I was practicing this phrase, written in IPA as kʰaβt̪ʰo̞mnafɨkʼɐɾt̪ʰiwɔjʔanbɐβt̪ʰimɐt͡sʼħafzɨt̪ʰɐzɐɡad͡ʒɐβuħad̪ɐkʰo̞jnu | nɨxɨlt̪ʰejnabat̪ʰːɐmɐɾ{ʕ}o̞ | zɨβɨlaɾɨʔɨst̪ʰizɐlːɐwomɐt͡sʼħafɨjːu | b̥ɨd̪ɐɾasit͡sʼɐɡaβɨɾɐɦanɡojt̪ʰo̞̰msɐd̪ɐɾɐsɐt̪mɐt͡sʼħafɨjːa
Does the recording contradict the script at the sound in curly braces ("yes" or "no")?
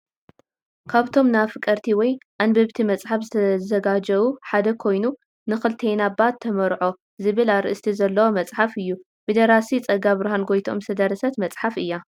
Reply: no